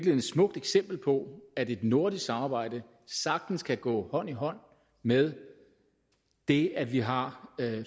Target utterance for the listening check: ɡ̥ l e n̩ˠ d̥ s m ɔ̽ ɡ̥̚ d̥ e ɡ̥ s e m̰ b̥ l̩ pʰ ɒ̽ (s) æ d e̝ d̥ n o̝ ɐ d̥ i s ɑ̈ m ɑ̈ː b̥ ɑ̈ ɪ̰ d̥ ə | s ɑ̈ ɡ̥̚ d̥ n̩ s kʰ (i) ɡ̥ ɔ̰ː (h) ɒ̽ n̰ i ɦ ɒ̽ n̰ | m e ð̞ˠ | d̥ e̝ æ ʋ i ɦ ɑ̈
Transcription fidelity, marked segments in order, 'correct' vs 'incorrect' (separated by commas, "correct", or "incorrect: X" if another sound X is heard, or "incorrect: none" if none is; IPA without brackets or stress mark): incorrect: none, incorrect: æ, correct